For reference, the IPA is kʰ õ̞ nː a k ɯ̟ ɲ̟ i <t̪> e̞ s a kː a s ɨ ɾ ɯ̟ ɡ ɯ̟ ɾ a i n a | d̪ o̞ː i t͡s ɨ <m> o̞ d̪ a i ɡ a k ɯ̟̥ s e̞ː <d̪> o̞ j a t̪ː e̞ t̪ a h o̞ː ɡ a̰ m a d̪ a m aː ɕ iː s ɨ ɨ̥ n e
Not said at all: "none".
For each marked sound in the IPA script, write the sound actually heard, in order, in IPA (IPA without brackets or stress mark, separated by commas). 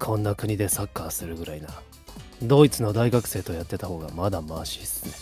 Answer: d̪, n, t̪